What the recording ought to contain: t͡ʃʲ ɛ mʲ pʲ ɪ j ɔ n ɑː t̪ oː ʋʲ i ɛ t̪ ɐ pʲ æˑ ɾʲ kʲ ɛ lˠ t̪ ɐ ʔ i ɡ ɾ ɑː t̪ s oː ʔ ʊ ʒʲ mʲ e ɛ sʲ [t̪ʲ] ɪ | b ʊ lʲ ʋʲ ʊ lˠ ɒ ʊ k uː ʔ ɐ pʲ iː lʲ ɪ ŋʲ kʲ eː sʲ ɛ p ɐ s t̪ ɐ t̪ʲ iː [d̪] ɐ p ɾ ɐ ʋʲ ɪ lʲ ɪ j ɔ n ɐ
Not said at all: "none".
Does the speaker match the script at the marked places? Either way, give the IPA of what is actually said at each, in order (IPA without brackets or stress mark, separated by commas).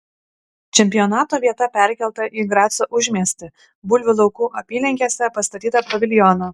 t̪ʲ, t̪